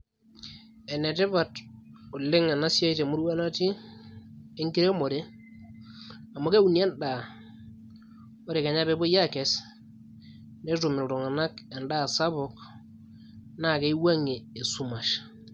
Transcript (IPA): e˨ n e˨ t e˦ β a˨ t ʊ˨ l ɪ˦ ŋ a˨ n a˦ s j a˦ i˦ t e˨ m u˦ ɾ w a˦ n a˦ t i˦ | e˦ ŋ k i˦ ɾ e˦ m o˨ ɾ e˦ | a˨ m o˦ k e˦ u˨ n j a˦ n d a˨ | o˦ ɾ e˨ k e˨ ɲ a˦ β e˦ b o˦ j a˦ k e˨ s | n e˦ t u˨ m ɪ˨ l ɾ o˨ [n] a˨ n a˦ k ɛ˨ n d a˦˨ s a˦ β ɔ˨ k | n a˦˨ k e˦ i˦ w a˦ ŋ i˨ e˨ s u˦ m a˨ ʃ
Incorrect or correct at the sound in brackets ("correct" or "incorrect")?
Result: incorrect